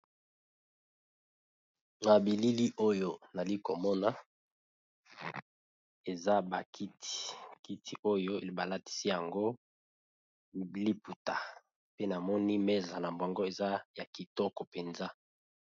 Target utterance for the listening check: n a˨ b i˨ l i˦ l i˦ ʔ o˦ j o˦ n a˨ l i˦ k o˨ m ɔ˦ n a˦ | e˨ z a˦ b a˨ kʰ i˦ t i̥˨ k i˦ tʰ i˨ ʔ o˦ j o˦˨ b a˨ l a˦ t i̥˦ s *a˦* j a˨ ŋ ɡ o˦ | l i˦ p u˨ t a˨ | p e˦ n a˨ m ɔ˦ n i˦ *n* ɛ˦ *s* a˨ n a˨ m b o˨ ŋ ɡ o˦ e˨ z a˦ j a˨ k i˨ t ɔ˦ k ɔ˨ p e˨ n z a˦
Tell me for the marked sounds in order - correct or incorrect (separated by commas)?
incorrect, incorrect, incorrect